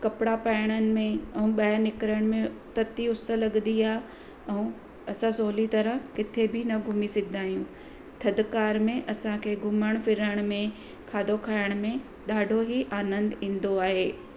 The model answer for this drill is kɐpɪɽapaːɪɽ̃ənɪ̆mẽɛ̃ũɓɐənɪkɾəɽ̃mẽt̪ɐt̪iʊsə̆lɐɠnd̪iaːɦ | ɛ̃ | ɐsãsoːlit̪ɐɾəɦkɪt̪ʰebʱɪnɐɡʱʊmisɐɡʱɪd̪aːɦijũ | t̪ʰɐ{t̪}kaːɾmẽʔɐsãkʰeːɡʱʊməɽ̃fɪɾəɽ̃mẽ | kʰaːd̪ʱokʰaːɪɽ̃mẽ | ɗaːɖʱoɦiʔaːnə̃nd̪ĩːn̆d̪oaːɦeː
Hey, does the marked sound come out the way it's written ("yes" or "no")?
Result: no